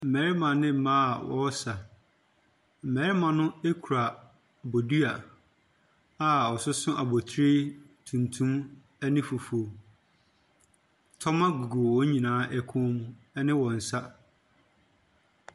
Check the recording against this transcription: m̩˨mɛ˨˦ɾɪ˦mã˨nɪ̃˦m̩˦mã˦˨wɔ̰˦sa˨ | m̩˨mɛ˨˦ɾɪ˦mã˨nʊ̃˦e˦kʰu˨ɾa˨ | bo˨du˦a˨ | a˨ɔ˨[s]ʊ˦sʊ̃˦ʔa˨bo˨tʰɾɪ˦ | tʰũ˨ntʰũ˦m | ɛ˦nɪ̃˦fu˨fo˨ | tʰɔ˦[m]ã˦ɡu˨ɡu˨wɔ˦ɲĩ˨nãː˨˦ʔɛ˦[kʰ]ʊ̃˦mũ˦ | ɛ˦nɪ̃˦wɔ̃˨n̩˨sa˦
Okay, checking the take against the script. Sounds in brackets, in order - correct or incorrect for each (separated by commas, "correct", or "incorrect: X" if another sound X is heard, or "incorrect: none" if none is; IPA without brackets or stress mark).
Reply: correct, correct, correct